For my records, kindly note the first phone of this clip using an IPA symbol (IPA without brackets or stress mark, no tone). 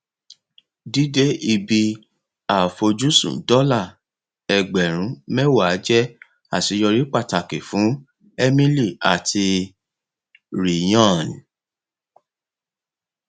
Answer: d